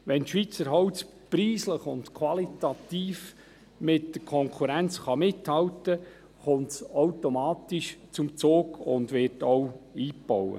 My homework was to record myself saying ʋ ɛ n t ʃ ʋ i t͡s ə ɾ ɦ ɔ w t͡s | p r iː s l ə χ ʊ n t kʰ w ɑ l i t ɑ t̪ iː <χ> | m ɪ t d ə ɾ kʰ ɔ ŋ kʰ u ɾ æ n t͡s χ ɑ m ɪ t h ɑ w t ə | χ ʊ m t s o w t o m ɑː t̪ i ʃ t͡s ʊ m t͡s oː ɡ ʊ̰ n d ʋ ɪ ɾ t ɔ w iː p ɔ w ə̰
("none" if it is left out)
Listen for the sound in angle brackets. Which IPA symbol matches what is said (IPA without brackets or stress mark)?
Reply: f